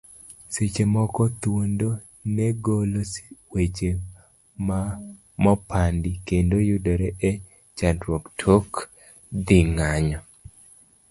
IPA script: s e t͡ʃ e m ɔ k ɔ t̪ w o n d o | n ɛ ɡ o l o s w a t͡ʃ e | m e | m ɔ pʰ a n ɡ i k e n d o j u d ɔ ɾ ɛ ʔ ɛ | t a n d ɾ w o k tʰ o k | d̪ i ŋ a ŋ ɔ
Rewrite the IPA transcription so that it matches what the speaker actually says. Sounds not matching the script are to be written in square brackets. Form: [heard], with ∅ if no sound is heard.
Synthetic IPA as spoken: s e t͡ʃ e m ɔ k ɔ t̪ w o n d o | n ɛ ɡ o l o s w [e] t͡ʃ e | m [a] | m ɔ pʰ a n [d] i k e n d o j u d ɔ ɾ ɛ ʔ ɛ | [t͡ʃ] a n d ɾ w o k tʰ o k | d̪ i ŋ a [ɲ] ɔ

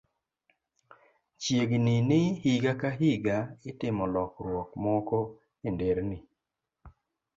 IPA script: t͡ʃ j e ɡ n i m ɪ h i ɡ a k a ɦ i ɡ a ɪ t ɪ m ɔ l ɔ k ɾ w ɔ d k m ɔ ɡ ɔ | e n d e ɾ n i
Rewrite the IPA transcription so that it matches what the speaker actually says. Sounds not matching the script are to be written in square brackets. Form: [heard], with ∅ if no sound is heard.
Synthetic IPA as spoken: t͡ʃ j e ɡ n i [n] ɪ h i ɡ a k a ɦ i ɡ a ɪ t ɪ m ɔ l ɔ k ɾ w ɔ [∅] k m ɔ [k] ɔ | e n d e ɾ n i

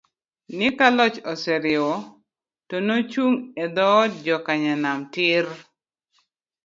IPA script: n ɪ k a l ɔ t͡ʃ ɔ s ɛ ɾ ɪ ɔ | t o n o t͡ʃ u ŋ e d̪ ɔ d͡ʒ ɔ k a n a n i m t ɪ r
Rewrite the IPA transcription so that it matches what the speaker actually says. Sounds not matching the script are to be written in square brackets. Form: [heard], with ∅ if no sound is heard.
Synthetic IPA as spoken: n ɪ k a l ɔ t͡ʃ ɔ s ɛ ɾ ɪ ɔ | t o n o t͡ʃ u ŋ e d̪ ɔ d͡ʒ ɔ k a [ɲ] a n [a] m t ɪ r

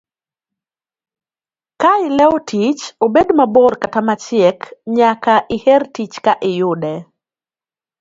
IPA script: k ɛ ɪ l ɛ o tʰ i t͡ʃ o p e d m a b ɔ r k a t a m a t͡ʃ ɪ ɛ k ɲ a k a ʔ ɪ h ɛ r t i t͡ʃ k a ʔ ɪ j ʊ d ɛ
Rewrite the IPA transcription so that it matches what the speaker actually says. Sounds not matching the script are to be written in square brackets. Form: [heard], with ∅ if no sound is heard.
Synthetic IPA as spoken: k [a] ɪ l ɛ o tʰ i t͡ʃ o [b] e d m a b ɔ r k a t a m a t͡ʃ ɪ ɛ k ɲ a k a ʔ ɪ h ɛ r t i t͡ʃ k a ʔ ɪ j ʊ d ɛ

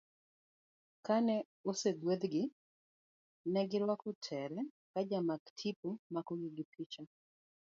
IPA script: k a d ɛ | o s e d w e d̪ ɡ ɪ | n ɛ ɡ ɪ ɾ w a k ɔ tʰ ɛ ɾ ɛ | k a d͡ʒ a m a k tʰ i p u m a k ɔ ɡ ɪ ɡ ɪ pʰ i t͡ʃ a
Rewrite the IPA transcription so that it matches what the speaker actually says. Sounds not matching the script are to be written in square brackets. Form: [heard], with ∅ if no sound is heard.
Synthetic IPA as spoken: k a [n] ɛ | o s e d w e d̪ ɡ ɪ | n ɛ ɡ ɪ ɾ w a k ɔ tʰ ɛ ɾ ɛ | k a d͡ʒ a m a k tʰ i p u m a k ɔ ɡ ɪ ɡ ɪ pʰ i t͡ʃ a

